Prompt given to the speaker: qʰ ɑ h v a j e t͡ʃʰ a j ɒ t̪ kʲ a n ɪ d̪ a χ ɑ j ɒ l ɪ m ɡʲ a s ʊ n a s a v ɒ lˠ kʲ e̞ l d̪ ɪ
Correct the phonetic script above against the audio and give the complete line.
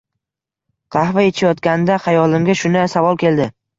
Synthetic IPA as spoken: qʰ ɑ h v a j e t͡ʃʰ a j ɒ t̪ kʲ a n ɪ d̪ a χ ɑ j ɒ l ɪ m ɡʲ a ʃ ʊ n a s a v ɒ lˠ kʲ e̞ l d̪ ɪ